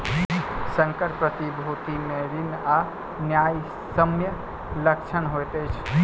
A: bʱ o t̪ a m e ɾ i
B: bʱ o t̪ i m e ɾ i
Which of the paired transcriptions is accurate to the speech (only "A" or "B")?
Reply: B